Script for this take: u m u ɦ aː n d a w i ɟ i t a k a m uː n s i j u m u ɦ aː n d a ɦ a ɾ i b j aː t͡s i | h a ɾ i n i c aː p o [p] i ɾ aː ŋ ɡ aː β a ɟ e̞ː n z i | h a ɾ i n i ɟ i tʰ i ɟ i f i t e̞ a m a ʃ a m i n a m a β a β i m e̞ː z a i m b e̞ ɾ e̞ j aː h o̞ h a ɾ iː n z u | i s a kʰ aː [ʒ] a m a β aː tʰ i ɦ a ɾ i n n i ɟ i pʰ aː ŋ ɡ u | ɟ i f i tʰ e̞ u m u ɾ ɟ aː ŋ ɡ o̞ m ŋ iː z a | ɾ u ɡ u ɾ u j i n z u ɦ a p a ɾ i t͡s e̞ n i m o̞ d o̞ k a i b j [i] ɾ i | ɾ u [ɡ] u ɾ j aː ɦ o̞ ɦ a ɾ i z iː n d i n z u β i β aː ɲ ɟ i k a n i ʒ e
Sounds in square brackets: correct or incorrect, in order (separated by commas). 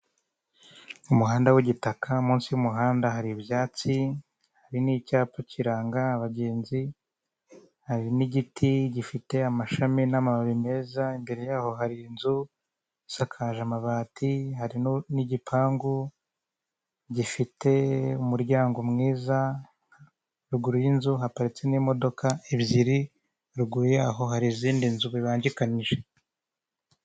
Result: incorrect, correct, correct, correct